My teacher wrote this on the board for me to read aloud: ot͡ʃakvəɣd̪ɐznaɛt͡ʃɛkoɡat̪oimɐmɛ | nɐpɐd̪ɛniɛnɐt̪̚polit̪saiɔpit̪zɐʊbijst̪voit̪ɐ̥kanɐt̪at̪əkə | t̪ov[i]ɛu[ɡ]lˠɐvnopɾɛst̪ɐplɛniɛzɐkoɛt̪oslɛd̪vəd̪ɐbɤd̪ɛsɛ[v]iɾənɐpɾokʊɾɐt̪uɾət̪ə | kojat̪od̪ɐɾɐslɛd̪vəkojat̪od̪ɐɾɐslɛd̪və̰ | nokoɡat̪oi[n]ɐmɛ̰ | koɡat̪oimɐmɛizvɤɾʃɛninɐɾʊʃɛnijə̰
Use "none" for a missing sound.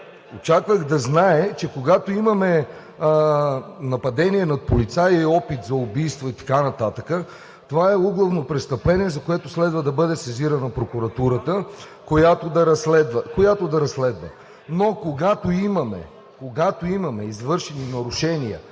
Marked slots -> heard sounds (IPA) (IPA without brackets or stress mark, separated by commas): a, ɡ, z, m